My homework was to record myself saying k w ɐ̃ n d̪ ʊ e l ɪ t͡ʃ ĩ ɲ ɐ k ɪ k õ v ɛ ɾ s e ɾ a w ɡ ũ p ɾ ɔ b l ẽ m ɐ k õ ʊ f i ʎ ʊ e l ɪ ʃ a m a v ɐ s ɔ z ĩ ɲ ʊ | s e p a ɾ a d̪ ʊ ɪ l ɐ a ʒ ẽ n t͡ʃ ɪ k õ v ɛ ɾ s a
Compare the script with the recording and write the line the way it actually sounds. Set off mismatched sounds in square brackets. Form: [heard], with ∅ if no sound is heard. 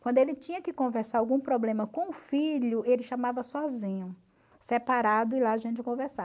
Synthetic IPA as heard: k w ɐ̃ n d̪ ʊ e l ɪ t͡ʃ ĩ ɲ ɐ k ɪ k õ v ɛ ɾ s [a] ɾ a w ɡ ũ p ɾ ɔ b l ẽ m ɐ k õ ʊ f i ʎ ʊ e l ɪ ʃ a m a v ɐ s ɔ z ĩ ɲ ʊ | s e p a ɾ a d̪ ʊ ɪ l [a] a ʒ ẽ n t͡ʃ ɪ k õ v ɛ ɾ s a